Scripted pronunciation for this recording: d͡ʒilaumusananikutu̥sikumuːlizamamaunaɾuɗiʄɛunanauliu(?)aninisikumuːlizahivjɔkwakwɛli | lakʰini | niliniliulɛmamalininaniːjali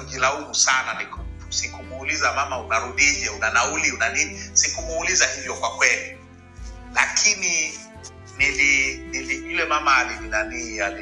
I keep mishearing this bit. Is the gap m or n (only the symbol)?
n